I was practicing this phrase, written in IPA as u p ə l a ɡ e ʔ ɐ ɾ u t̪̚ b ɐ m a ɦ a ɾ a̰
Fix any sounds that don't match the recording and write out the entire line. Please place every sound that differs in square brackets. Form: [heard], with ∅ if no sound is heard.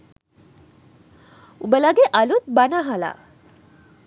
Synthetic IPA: u [b] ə l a ɡ e ʔ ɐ [l] u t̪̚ b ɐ [n] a ɦ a [l] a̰